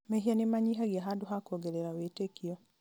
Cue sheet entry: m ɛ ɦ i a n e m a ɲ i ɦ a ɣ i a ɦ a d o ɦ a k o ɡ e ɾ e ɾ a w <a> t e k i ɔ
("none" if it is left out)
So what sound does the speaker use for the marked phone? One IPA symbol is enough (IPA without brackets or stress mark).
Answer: e